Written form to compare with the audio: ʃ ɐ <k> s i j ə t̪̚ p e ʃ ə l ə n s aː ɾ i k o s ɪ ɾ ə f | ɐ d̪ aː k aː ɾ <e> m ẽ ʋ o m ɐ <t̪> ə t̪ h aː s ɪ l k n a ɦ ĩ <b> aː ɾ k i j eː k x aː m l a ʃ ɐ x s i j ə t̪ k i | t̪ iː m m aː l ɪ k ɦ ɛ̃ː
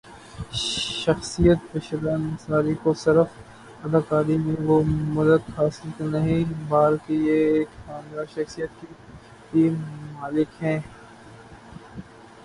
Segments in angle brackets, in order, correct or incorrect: incorrect, incorrect, incorrect, correct

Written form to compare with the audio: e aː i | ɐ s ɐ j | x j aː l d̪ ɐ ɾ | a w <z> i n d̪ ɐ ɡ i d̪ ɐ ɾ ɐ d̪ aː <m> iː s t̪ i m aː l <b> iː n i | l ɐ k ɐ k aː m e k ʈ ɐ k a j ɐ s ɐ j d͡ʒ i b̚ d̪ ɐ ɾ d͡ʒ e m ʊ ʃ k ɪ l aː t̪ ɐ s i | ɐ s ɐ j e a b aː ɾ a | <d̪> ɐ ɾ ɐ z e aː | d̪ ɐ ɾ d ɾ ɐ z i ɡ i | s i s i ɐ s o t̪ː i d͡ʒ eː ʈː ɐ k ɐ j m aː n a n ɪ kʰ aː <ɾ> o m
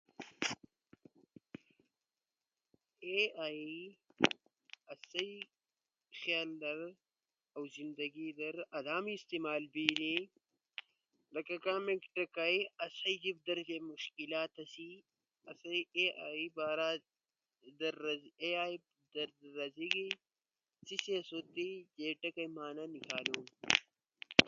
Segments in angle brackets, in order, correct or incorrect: correct, correct, correct, correct, incorrect

